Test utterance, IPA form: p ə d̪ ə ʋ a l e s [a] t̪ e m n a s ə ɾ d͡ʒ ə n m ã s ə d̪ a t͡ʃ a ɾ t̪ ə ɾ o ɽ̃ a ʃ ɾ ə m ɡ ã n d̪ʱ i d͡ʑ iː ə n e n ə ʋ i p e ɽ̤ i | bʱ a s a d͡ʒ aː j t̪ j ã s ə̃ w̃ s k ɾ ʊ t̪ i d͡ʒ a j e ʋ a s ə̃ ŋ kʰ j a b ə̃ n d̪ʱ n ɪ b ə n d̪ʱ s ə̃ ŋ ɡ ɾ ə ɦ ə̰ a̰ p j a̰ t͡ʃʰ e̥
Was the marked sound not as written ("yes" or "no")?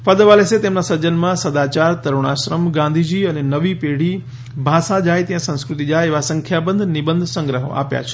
yes